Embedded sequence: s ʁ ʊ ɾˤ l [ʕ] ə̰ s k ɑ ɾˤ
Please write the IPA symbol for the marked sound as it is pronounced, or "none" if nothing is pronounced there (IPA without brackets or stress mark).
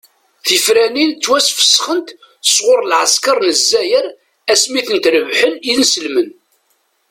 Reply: ʕ